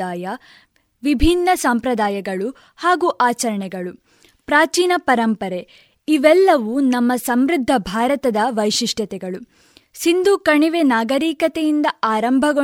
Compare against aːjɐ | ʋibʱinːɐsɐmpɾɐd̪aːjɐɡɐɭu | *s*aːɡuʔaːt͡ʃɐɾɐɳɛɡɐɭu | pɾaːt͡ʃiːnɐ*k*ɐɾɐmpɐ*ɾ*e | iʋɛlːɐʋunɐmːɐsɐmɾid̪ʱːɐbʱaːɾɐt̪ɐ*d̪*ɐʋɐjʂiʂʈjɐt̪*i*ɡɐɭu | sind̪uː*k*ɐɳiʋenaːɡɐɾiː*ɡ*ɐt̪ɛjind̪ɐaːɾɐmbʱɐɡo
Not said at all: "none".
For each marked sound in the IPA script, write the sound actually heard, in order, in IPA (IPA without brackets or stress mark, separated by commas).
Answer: h, p, ɾ, d̪, ɛ, k, k